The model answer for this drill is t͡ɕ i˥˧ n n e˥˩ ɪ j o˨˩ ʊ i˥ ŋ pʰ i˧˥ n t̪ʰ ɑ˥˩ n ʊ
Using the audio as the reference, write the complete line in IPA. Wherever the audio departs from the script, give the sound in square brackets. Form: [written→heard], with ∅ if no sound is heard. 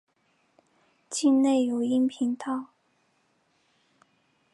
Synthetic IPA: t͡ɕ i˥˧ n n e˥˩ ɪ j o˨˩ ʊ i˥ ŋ pʰ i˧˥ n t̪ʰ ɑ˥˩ [n→∅] ʊ